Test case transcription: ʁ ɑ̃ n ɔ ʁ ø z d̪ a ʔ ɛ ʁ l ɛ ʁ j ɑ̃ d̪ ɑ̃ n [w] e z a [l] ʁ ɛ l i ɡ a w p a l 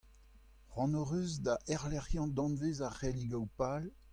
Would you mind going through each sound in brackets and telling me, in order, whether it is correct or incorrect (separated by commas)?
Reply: incorrect, incorrect